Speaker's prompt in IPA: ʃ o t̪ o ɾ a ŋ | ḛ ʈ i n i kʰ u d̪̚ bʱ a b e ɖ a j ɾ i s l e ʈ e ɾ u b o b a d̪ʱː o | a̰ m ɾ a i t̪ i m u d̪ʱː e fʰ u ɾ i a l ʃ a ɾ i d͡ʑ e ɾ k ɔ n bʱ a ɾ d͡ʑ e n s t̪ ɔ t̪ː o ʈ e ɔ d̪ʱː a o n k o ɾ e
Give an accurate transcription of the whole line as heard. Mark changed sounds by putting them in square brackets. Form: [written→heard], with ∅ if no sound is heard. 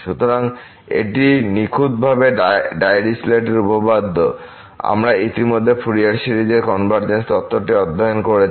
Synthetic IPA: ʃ [o→u] t̪ o ɾ a ŋ | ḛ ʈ i n i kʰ u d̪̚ bʱ a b e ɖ a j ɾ i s l e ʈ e ɾ u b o b a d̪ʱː o | a̰ m ɾ a i t̪ i m [u→o] d̪ʱː e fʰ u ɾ i a [l→ɾ] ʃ [a→i] ɾ i d͡ʑ e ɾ k ɔ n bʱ a ɾ d͡ʑ e n s t̪ ɔ t̪ː o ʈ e ɔ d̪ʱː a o n k o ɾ e

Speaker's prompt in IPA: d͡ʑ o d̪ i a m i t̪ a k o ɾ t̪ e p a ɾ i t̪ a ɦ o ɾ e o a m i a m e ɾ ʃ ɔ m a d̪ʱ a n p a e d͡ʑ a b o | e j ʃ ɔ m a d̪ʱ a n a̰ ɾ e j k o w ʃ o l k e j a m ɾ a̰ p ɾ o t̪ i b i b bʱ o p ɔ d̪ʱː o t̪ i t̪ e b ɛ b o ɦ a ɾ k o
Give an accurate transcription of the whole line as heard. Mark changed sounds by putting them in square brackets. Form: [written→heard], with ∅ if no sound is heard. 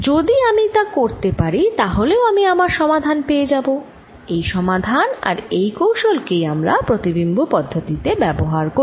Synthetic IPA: d͡ʑ o d̪ i a m i t̪ a k o ɾ t̪ e p a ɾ i t̪ a ɦ o [ɾ→l] e o a m i a m [e→a] ɾ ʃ ɔ m a d̪ʱ a n p [a→e] e d͡ʑ a b o | e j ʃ ɔ m a d̪ʱ a n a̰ ɾ e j k o w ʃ o l k e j a m ɾ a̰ p ɾ o t̪ i b i [b→m] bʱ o p ɔ d̪ʱː o t̪ i t̪ e b ɛ b o ɦ a ɾ k o

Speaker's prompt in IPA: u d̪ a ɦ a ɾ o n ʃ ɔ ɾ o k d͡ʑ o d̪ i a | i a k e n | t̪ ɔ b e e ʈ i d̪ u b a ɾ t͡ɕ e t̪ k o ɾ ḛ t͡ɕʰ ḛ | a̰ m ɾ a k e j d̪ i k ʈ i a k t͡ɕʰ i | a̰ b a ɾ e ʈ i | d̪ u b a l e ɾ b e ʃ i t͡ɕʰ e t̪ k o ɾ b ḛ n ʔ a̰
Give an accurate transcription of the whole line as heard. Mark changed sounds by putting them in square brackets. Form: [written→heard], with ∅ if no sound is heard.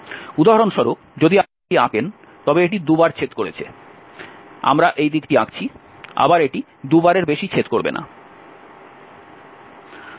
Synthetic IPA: u d̪ a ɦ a ɾ o n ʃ ɔ ɾ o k d͡ʑ o d̪ i a | i a k e n | t̪ ɔ b e e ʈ i d̪ u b a ɾ [t͡ɕ→t͡ɕʰ] e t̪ k o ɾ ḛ t͡ɕʰ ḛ | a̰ m ɾ a [k→ʔ] e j d̪ i k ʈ i a k t͡ɕʰ i | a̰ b a ɾ e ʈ i | d̪ u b a [l→ɾ] e ɾ b e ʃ i t͡ɕʰ e t̪ k o ɾ b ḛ n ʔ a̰

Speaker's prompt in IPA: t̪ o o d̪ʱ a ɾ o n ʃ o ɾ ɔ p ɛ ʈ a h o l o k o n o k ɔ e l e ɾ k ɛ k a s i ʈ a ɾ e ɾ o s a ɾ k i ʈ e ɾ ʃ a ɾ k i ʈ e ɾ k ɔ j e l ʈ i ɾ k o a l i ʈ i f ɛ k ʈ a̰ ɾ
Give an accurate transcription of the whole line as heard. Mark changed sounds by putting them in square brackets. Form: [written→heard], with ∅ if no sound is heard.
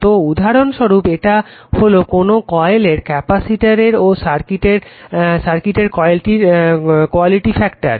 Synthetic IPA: t̪ o [o→u] d̪ʱ a ɾ o n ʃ o ɾ [ɔ→u] p [ɛ→e] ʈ a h o l o k o n o k ɔ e l e ɾ k ɛ [k→p] a s i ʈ a ɾ e ɾ o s a ɾ k i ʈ e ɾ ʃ a ɾ k i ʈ e ɾ k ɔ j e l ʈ i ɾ k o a l i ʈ i f ɛ k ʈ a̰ ɾ

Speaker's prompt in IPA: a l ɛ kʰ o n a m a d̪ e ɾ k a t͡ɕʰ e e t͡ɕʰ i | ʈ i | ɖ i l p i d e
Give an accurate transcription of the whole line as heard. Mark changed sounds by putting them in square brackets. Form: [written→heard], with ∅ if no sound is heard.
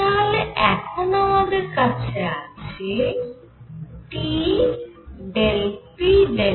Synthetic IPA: a l ɛ kʰ o n a m a d̪ e ɾ k a t͡ɕʰ e [e→a] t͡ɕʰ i | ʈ i | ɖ [i→e] l p i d e

